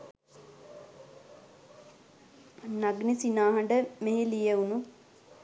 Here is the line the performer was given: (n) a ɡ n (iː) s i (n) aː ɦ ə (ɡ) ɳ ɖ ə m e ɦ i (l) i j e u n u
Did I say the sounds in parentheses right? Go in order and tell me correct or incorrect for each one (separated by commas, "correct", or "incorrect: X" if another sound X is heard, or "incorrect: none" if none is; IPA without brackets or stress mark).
correct, incorrect: i, correct, incorrect: none, correct